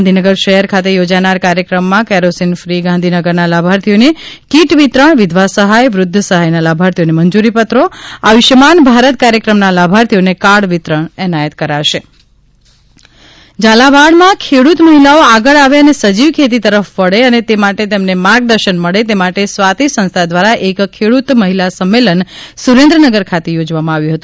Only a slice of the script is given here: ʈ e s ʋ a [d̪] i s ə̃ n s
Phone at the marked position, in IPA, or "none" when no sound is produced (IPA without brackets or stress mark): t̪